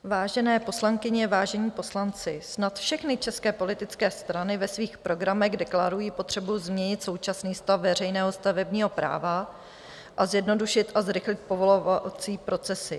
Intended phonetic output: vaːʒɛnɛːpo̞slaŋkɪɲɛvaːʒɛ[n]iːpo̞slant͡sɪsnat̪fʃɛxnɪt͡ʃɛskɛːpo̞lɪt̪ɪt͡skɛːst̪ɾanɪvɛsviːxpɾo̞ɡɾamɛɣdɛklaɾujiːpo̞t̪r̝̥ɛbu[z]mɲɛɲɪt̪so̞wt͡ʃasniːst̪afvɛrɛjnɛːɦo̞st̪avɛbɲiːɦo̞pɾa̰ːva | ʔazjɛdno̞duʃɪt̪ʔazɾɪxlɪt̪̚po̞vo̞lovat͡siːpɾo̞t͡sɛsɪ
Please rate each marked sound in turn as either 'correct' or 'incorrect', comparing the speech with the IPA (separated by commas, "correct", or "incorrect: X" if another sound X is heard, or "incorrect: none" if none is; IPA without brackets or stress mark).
incorrect: ɲ, correct